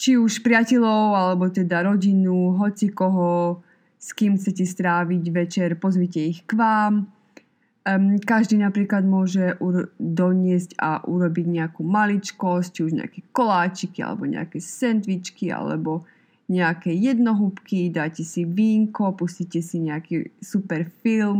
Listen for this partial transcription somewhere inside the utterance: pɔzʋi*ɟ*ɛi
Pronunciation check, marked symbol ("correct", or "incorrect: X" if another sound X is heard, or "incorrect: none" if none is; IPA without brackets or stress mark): incorrect: c